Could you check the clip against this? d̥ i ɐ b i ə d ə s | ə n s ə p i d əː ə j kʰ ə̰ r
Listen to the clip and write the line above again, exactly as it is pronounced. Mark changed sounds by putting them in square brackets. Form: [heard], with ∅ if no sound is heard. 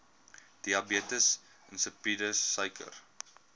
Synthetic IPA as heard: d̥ i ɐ b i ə [t] ə s | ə n s ə p i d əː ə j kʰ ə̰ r